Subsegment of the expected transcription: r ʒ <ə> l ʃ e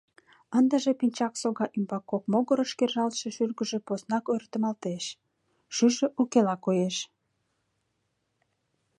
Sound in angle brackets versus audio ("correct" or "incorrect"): incorrect